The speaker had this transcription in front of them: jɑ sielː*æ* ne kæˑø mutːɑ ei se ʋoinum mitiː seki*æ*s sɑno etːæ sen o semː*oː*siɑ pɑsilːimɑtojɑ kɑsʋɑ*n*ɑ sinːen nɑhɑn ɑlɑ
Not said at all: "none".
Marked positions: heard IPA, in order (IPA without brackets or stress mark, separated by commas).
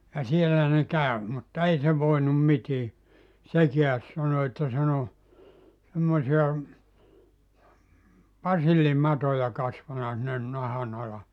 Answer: æ, æ, o, n